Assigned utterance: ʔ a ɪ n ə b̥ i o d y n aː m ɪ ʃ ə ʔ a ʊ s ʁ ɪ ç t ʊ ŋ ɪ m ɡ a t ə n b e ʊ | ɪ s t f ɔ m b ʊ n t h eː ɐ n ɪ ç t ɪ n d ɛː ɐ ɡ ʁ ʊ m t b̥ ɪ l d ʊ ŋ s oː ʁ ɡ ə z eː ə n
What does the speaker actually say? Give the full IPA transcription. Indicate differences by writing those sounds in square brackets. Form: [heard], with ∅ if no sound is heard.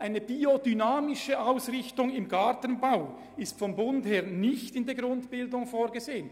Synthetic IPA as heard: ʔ a ɪ n ə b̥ i o d y n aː m ɪ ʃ ə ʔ a ʊ s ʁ ɪ ç t ʊ ŋ ɪ m ɡ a t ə n b [a] ʊ | ɪ s t f ɔ m b ʊ n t h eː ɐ n ɪ ç t ɪ n d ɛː ɐ ɡ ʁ ʊ [n] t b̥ ɪ l d ʊ ŋ [f] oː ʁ ɡ ə z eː ə n